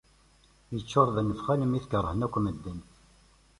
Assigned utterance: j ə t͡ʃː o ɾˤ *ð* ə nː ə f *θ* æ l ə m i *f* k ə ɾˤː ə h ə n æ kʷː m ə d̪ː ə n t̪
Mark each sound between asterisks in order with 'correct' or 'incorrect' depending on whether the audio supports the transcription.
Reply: correct, incorrect: χ, incorrect: θ

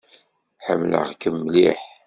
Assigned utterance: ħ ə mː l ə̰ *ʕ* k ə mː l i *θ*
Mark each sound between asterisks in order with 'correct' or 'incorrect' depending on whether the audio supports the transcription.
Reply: incorrect: ʁ, incorrect: ħ

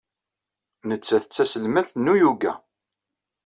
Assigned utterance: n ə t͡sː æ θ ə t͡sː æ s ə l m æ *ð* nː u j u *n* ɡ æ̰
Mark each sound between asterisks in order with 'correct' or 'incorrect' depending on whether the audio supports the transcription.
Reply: incorrect: θ, incorrect: none

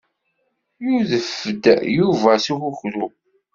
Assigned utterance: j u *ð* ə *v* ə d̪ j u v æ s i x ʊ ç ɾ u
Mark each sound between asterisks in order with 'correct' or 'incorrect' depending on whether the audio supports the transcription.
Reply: correct, incorrect: f

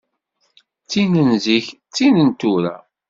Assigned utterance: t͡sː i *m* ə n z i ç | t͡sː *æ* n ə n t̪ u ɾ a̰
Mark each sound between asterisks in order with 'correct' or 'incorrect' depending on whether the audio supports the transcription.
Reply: incorrect: n, incorrect: i

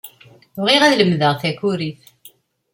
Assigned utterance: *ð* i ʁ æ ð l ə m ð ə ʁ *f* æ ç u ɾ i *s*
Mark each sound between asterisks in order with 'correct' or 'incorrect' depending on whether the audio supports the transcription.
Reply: incorrect: ʁ, incorrect: θ, incorrect: θ

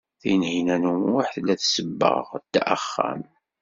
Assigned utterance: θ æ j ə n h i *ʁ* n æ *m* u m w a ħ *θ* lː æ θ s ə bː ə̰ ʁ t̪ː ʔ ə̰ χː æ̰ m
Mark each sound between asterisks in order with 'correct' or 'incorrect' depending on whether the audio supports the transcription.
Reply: incorrect: none, incorrect: n, correct

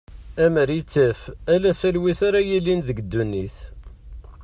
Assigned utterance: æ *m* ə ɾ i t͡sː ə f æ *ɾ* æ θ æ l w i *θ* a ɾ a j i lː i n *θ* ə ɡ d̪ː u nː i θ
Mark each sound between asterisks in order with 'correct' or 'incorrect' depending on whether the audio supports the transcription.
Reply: correct, incorrect: l, correct, incorrect: ð

